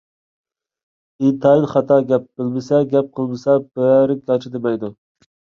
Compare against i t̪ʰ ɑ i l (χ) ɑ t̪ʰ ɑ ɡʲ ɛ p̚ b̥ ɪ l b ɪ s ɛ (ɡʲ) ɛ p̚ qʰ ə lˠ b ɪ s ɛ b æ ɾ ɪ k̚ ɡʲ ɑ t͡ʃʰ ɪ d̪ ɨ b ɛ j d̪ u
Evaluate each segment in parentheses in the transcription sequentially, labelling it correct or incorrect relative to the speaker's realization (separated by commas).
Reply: correct, correct